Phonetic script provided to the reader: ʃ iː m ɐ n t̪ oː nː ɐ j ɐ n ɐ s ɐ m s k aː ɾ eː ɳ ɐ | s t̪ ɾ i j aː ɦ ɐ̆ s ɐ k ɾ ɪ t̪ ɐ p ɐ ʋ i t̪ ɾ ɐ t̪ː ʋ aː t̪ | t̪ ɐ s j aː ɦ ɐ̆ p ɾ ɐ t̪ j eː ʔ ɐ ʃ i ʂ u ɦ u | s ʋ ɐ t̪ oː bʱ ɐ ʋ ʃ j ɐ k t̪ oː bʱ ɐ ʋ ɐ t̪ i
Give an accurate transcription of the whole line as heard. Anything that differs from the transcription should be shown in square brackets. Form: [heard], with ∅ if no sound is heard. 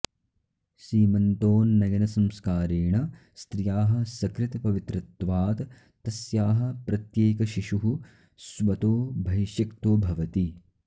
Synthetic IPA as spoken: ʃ iː m ɐ n t̪ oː nː ɐ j ɐ n ɐ s ɐ m s k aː ɾ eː ɳ ɐ | s t̪ ɾ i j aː ɦ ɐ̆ s ɐ k ɾ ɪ t̪ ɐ p ɐ ʋ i t̪ ɾ ɐ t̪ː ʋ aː t̪ | t̪ ɐ s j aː ɦ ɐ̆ p ɾ ɐ t̪ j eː [k] ɐ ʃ i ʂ u ɦ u | s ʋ ɐ t̪ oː bʱ ɐ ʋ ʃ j ɐ k t̪ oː bʱ ɐ ʋ ɐ t̪ i